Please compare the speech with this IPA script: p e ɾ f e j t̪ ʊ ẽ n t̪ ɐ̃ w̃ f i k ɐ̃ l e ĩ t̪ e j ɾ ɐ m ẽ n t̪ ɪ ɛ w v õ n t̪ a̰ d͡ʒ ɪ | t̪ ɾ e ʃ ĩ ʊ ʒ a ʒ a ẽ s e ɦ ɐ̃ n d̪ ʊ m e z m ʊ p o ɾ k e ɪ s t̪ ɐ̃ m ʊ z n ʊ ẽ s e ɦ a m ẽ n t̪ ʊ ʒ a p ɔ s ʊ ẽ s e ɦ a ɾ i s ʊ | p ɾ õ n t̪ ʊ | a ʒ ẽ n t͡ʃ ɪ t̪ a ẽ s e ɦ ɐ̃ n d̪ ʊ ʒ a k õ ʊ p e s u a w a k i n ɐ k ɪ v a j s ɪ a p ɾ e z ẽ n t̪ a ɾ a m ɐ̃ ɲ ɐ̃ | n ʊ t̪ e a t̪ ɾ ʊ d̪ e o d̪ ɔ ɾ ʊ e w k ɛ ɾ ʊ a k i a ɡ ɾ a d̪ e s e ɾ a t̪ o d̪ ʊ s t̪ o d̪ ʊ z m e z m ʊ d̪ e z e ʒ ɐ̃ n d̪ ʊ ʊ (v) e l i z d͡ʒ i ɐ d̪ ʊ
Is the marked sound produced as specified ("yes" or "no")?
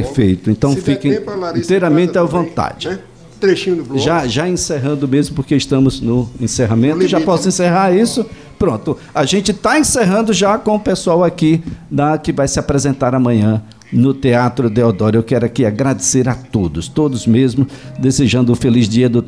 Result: no